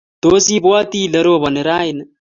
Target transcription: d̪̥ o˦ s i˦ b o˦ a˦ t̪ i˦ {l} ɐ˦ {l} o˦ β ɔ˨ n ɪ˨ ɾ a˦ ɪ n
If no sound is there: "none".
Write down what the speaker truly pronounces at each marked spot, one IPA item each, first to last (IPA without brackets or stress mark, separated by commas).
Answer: l, ɾ